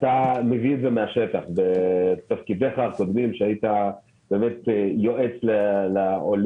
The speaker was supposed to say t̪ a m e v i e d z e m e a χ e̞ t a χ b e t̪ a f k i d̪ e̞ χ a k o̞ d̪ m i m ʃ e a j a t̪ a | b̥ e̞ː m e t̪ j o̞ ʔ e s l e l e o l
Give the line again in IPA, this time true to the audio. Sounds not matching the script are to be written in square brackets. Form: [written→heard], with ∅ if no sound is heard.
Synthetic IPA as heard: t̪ a m e v i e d z e m e a [χ→ʃ] e̞ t a χ b e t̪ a f k i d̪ e̞ χ a k o̞ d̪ m i m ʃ e a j [a→i] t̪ a | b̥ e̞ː m e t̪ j o̞ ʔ e [s→t͡s] l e l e o l